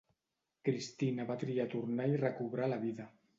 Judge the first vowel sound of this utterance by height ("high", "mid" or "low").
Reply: high